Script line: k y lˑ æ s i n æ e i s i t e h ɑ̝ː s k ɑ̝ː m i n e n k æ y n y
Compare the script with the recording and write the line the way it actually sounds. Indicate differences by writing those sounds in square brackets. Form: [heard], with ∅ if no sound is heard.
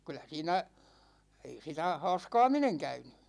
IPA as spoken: k y lˑ æ s [iː] n æ e i s i t [æ] h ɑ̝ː s k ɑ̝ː m i n e [ŋ] k æ y n y